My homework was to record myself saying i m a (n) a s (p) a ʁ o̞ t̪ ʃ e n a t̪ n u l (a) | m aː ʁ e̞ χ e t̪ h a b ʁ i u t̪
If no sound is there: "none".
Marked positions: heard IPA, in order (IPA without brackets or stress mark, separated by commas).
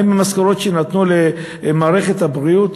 m, k, e